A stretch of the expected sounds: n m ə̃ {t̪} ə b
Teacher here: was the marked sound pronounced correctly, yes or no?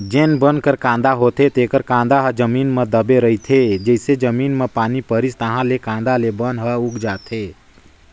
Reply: no